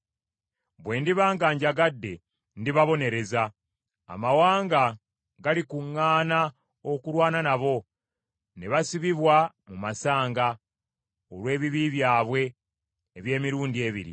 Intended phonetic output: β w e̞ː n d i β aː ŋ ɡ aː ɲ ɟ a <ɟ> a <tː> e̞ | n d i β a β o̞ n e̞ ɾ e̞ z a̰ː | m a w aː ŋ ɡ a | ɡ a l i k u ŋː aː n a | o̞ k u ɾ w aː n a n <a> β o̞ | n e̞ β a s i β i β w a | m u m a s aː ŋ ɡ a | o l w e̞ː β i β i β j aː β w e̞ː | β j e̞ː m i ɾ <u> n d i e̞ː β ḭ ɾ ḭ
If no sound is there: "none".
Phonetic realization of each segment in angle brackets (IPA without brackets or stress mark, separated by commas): ɡ, dː, a, uː